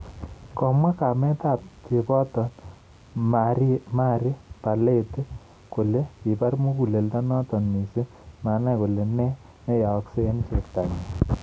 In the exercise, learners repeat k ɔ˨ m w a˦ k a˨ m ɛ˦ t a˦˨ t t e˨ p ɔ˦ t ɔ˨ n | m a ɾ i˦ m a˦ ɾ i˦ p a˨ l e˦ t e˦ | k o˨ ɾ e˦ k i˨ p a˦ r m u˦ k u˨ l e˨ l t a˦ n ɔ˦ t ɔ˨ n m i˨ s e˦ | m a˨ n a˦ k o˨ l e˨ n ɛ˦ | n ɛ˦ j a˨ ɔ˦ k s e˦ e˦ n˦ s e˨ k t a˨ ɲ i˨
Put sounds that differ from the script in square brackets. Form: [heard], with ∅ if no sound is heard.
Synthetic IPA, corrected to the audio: k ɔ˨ m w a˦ k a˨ m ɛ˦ t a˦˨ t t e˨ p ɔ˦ t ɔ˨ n | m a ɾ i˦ m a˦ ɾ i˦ p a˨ l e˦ t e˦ | k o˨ [l] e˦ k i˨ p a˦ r m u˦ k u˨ l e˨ l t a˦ n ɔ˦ t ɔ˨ n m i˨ s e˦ | m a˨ n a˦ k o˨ l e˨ n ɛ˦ | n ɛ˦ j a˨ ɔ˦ k s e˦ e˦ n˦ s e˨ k t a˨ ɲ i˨